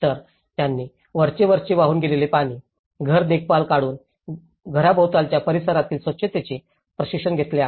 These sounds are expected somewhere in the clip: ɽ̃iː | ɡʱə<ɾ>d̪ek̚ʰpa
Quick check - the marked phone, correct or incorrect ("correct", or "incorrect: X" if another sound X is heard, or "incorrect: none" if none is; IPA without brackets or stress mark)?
correct